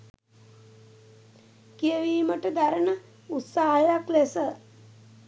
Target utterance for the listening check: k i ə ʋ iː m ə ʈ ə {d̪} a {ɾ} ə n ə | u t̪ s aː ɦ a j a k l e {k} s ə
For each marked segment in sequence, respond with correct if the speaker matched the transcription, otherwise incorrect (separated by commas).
correct, correct, incorrect